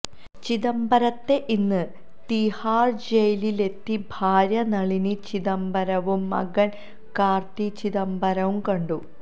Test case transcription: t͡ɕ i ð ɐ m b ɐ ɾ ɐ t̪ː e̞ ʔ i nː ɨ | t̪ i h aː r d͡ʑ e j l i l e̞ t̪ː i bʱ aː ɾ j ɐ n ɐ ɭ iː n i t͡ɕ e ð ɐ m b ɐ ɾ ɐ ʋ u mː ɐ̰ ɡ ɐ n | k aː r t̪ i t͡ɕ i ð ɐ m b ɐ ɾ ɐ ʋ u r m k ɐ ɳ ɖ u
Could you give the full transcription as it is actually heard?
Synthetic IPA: t͡ɕ i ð ɐ m b ɐ ɾ ɐ t̪ː e̞ ʔ i nː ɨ | t̪ i h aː r d͡ʑ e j l i l e̞ t̪ː i bʱ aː ɾ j ɐ n ɐ ɭ i n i t͡ɕ i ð ɐ m b ɐ ɾ ɐ ʋ u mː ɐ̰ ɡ ɐ n | k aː r t̪ i t͡ɕ i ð ɐ m b ɐ ɾ ɐ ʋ u m k ɐ ɳ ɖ u